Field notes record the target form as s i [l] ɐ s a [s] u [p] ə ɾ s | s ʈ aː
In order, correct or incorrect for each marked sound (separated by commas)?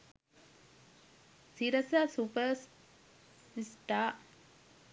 incorrect, correct, correct